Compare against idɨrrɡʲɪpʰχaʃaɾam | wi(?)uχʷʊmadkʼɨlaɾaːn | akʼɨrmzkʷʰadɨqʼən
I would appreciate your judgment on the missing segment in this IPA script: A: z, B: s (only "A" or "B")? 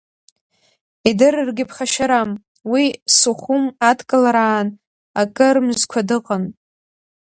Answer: B